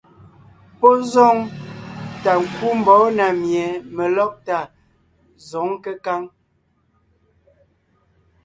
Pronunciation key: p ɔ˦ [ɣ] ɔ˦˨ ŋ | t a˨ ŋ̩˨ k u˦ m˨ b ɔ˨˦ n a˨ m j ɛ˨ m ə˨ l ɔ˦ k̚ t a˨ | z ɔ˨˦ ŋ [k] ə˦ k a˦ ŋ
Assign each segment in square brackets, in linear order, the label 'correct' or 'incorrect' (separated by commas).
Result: incorrect, correct